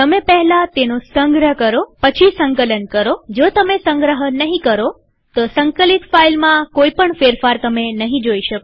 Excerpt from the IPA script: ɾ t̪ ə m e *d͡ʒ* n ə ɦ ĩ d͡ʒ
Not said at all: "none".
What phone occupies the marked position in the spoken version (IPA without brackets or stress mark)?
none